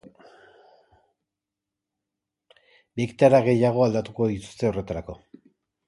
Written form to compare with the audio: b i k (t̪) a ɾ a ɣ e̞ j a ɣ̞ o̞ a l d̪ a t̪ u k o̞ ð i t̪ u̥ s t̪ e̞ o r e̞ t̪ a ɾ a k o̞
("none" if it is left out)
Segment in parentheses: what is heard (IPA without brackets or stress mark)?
t̪